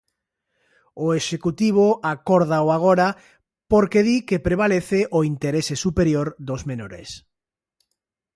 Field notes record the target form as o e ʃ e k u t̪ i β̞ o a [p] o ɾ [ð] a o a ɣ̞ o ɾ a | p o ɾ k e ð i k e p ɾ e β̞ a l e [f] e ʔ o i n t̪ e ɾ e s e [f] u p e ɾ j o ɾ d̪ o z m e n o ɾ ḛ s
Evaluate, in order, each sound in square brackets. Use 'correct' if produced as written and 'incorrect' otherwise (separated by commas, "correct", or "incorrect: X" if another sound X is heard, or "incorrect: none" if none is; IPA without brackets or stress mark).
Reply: incorrect: k, correct, incorrect: θ, incorrect: s